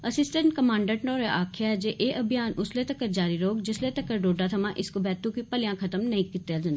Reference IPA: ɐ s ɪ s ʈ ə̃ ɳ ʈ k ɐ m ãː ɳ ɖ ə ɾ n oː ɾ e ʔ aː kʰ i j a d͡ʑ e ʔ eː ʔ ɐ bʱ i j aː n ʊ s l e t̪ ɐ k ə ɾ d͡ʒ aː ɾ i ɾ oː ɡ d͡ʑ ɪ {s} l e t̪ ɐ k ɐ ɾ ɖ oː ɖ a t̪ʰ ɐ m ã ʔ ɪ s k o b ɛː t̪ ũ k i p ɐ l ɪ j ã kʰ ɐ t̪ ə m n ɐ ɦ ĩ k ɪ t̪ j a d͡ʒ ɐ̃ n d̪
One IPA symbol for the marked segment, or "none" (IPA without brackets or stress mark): s